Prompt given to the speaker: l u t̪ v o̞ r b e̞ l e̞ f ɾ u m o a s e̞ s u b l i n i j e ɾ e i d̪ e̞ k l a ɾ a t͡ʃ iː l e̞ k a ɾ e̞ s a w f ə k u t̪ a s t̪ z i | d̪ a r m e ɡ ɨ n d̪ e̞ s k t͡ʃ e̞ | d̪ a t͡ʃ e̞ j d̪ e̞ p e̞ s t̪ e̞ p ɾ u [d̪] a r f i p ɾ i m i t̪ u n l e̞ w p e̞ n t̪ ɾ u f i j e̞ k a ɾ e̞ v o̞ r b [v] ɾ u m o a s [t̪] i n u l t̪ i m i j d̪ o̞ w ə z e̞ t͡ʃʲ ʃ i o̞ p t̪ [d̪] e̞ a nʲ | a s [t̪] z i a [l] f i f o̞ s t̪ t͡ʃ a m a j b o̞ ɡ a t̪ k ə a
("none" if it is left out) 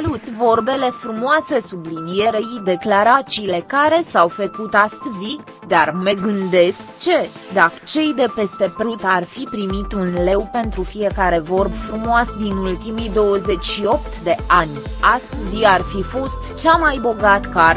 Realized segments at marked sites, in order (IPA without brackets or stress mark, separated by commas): t̪, f, d̪, d̪, t̪, r